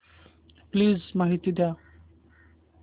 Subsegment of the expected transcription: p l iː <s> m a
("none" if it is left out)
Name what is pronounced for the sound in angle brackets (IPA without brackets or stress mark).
z